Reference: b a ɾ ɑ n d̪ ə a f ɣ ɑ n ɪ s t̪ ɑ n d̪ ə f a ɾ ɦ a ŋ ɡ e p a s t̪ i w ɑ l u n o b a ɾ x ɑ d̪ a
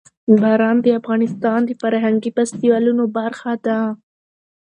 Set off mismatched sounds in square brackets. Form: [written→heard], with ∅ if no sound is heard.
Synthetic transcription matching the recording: b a ɾ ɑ n d̪ ə a f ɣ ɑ n ɪ s t̪ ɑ n d̪ ə f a ɾ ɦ a ŋ ɡ [e→i] p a s t̪ i w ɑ l u n o b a ɾ x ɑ d̪ a